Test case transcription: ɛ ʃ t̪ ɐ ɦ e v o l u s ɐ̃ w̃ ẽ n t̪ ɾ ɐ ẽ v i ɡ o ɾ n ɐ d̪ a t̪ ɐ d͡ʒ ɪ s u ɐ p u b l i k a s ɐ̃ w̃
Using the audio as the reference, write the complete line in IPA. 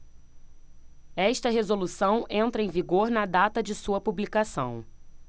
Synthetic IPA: ɛ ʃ t̪ ɐ ɦ e z o l u s ɐ̃ w̃ ẽ n t̪ ɾ ɐ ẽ v i ɡ o ɾ n ɐ d̪ a t̪ ɐ d͡ʒ ɪ s u ɐ p u b l i k a s ɐ̃ w̃